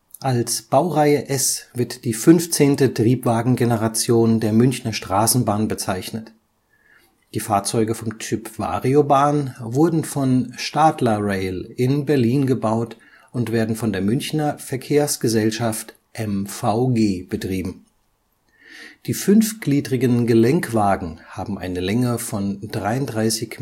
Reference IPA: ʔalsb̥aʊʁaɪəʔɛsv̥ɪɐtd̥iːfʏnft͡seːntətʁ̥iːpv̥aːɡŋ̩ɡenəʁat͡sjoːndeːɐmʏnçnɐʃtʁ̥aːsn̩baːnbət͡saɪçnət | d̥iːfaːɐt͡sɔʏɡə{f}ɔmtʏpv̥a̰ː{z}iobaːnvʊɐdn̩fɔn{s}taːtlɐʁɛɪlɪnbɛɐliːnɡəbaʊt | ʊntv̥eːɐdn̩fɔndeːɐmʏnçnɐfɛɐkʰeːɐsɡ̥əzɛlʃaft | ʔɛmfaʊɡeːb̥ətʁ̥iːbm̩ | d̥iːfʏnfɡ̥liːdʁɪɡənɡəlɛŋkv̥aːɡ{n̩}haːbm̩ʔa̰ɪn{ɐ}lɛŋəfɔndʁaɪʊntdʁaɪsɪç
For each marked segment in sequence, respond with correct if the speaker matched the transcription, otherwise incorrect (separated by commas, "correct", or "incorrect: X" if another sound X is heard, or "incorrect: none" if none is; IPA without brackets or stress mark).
correct, incorrect: ʁ, incorrect: ʃ, incorrect: ŋ̩, incorrect: ə